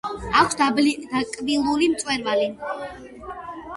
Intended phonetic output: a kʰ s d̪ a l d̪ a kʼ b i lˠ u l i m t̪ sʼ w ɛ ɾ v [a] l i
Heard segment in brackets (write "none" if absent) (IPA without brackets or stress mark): a